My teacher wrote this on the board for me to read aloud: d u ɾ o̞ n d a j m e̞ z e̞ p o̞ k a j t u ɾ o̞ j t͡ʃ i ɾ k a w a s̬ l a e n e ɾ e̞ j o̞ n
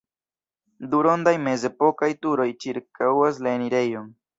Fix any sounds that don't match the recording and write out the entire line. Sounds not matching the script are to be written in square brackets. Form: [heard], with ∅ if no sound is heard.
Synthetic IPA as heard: d u ɾ o̞ n d a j m e̞ z e̞ p o̞ k a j t u ɾ o̞ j t͡ʃ i ɾ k a w a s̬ l a e n [i] ɾ e̞ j o̞ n